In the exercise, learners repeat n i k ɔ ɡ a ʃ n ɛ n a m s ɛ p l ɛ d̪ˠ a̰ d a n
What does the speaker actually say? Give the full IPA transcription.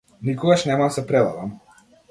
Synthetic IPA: n i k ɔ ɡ a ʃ n ɛ m a m s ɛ p ɾ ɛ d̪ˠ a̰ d a m